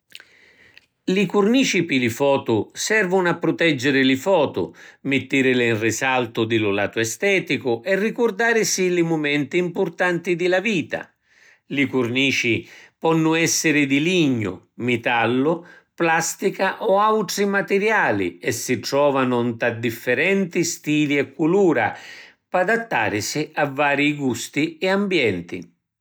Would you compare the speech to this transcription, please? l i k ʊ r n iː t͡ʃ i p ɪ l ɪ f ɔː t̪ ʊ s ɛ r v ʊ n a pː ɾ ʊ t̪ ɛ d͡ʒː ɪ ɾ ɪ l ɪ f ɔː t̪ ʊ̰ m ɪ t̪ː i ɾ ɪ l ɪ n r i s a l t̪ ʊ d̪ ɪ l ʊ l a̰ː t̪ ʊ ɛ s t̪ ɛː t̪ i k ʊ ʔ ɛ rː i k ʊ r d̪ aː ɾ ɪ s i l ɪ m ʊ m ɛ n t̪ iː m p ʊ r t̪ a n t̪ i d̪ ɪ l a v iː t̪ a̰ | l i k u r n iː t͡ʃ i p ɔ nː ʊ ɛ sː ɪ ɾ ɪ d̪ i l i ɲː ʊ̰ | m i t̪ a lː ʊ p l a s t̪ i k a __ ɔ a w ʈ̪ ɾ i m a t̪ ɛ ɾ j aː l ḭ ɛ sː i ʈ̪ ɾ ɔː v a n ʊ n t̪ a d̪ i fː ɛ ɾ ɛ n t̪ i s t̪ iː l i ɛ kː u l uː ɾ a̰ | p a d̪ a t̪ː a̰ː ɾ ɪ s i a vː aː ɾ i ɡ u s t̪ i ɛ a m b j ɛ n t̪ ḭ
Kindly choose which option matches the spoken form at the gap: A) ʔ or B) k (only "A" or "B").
A